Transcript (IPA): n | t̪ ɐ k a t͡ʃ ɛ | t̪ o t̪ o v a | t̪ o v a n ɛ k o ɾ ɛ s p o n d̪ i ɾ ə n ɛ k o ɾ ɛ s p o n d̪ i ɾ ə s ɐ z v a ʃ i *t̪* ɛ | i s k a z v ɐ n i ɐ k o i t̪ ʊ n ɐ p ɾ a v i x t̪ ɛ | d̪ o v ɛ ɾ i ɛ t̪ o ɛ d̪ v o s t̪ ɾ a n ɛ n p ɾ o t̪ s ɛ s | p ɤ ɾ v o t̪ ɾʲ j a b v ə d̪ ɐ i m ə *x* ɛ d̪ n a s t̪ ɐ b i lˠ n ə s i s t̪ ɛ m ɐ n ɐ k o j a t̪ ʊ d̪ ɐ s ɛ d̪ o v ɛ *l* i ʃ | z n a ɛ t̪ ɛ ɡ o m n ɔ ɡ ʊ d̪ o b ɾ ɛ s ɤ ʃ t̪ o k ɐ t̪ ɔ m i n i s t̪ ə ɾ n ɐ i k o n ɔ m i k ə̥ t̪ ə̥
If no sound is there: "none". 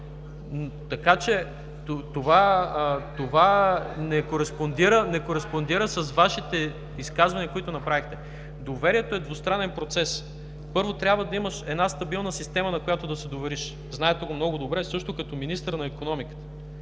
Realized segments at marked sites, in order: t̪, ʃ, ɾ

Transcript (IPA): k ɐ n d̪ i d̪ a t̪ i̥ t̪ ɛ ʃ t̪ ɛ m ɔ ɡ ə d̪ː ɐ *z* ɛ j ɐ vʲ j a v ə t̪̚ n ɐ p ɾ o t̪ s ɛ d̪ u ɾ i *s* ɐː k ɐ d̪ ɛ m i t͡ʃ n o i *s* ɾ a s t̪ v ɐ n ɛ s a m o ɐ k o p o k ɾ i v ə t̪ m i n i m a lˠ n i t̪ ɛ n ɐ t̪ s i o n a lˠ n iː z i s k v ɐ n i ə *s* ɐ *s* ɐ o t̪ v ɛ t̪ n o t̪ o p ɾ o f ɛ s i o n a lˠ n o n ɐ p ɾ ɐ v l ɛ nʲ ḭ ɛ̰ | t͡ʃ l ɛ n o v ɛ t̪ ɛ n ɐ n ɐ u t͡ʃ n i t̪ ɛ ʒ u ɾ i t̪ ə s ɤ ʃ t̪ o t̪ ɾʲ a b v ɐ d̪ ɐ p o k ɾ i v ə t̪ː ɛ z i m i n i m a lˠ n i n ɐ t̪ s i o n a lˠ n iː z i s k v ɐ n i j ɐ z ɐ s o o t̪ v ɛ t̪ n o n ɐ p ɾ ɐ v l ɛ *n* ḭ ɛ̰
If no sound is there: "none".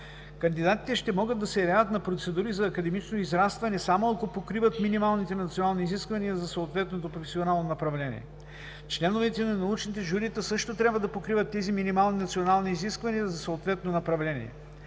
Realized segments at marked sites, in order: s, z, z, z, s, n

